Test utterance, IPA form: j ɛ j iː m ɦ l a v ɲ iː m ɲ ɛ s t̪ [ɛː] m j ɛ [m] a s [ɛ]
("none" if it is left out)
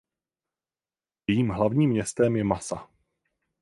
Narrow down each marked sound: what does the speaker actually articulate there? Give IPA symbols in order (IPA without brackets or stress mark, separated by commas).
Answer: ɛ, m, a